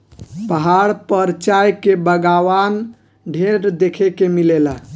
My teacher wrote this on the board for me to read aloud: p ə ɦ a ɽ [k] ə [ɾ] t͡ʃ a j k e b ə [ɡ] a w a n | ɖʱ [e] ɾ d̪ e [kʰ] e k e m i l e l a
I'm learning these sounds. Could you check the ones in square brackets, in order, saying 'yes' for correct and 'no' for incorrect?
no, yes, yes, yes, yes

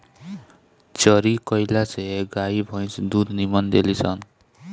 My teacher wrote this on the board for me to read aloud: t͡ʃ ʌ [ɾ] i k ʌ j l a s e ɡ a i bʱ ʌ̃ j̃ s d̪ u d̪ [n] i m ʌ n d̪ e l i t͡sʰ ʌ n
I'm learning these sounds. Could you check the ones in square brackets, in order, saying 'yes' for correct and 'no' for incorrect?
yes, yes

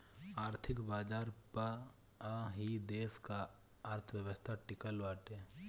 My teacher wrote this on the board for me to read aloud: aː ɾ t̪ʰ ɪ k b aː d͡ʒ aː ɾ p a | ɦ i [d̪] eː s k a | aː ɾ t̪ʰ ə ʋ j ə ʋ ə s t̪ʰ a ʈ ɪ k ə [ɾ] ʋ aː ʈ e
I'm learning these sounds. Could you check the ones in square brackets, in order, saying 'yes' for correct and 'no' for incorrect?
yes, no

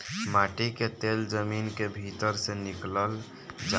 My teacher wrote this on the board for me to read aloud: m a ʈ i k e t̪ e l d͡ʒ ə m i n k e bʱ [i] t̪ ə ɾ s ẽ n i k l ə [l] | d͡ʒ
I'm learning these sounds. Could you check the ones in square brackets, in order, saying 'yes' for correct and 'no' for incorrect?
yes, yes

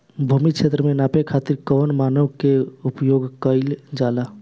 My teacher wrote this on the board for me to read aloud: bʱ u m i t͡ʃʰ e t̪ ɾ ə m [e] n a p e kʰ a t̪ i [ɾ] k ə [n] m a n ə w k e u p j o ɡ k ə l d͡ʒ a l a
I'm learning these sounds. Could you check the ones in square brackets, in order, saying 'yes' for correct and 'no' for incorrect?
yes, yes, yes

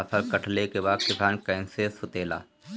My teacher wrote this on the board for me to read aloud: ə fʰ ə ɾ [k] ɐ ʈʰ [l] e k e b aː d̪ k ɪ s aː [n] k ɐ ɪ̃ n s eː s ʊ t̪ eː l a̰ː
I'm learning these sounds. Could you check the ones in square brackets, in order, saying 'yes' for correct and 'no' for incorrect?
yes, yes, yes

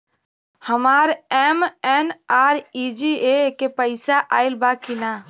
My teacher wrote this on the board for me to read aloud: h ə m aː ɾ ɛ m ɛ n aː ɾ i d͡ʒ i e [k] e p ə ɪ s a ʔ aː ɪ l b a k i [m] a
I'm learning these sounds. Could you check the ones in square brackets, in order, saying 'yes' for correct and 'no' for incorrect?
yes, no

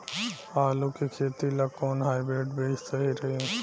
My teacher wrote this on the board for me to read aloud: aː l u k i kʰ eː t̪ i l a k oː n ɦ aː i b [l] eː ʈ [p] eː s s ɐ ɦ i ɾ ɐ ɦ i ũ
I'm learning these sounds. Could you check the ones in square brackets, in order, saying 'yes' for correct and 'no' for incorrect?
no, no

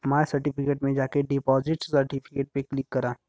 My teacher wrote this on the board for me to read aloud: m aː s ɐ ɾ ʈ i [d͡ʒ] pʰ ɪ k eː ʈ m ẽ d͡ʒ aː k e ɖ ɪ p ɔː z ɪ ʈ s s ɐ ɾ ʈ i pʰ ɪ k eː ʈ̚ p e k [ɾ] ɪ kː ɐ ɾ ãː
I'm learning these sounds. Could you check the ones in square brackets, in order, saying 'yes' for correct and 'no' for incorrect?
no, no

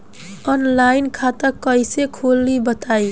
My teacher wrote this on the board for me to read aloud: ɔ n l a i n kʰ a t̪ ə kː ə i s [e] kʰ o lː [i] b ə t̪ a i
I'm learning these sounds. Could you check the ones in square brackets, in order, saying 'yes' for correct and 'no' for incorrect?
yes, yes

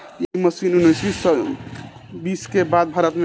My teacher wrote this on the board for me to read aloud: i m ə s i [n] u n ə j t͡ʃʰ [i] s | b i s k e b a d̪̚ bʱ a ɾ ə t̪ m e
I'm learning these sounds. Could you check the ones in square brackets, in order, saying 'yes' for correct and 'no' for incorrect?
yes, yes

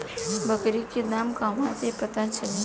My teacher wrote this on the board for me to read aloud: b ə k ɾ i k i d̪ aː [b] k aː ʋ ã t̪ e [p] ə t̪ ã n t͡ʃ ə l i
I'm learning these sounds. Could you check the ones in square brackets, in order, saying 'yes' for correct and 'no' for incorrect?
no, yes

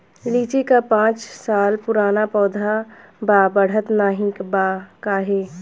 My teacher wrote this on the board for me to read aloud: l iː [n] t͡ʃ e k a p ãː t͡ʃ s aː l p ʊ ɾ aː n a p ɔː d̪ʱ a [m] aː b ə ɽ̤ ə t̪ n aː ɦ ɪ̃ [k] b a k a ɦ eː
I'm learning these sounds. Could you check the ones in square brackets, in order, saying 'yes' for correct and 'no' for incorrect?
no, no, yes

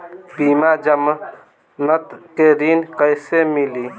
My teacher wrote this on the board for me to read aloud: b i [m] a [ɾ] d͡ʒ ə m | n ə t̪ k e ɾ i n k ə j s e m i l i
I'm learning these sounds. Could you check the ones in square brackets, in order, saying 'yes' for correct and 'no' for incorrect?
yes, no

